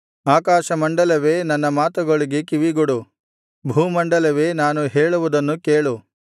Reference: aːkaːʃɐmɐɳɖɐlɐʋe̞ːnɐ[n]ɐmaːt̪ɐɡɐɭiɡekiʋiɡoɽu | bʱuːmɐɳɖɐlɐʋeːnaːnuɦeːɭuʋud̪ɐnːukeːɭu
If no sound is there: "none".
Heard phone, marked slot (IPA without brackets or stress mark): nː